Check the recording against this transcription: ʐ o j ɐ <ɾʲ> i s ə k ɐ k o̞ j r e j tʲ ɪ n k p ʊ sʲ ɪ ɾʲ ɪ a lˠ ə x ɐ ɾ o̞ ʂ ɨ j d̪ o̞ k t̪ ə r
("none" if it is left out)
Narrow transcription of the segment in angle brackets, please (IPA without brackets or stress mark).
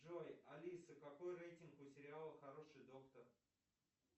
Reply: lʲ